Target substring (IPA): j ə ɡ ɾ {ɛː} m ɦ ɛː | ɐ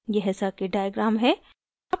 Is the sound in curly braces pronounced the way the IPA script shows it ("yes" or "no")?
no